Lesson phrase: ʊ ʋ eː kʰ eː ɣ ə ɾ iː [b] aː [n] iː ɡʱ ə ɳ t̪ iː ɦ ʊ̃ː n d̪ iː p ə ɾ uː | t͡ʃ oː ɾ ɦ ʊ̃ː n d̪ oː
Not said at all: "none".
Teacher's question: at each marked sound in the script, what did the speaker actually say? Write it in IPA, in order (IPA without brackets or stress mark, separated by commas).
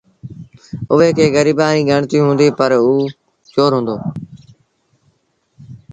b, n